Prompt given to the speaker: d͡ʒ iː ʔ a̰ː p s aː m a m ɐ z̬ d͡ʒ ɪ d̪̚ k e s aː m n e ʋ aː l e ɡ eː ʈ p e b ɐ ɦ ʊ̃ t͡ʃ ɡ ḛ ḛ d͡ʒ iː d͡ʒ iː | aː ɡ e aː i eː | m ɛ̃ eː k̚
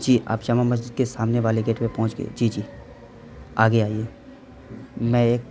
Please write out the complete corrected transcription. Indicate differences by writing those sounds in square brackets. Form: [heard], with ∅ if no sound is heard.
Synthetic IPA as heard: d͡ʒ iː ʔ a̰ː p [ʃ] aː m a m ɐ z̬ d͡ʒ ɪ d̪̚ k e s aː m n e ʋ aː l e ɡ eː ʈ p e [p] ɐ ɦ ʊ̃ t͡ʃ ɡ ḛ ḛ d͡ʒ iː d͡ʒ iː | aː ɡ e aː i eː | m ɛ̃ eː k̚